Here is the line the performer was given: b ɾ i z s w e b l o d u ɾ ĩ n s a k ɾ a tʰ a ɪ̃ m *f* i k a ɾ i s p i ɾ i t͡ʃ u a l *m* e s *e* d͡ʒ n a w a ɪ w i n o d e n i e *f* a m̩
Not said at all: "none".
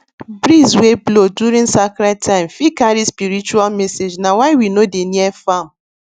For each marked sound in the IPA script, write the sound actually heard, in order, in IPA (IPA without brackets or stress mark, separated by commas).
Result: f, m, e, f